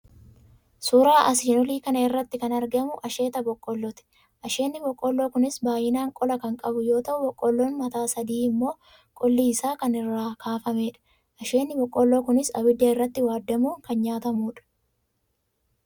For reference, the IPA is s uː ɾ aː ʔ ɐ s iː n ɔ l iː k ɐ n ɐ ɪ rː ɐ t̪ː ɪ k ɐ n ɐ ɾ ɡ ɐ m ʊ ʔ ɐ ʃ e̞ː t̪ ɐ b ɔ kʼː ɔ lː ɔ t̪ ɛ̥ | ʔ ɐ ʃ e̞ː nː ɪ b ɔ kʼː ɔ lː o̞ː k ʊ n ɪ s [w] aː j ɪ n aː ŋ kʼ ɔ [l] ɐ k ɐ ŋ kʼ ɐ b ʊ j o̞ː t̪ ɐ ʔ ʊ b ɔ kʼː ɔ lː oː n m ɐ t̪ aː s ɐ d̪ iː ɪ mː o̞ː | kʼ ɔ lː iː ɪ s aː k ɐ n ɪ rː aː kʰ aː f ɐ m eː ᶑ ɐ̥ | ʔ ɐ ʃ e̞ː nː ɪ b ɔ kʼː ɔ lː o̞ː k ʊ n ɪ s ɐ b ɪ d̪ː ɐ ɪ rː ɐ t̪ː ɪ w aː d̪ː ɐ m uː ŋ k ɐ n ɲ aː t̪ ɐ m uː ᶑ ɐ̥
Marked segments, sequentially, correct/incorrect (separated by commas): incorrect, correct